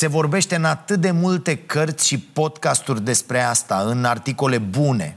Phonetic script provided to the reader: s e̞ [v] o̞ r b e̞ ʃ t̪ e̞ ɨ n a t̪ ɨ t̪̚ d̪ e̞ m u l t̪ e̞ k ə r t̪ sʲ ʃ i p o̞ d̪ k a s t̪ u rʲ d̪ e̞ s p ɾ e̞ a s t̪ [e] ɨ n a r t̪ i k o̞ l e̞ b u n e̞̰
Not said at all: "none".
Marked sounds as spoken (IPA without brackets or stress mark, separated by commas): v, a